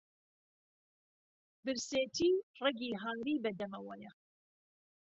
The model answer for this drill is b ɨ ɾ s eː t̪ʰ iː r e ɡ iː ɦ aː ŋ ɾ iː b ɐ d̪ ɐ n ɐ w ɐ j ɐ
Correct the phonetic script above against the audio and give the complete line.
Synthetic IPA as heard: b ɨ ɾ s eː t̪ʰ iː r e ɡ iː ɦ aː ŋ ɾ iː b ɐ d̪ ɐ m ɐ w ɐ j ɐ